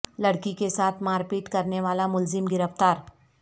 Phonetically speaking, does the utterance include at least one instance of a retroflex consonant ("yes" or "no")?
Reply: yes